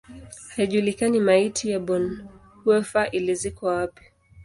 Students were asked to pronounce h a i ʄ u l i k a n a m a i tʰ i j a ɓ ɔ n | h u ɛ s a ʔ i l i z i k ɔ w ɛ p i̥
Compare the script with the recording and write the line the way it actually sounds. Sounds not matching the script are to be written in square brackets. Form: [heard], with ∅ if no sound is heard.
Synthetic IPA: h a i ʄ u l i k a n [i] m a i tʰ i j a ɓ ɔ n | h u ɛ [f] a ʔ i l i z i k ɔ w [a] p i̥